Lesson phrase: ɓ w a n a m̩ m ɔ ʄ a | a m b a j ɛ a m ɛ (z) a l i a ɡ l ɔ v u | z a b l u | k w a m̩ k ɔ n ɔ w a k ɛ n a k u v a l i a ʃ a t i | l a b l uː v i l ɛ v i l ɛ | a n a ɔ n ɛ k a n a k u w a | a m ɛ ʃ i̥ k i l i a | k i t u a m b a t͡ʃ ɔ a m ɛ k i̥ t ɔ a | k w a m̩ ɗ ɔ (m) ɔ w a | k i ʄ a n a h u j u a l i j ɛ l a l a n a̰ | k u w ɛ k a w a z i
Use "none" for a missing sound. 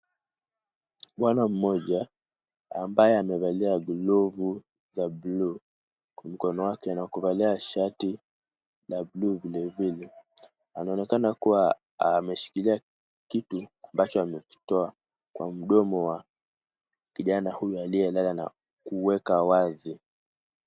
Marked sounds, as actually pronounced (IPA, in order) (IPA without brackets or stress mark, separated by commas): v, m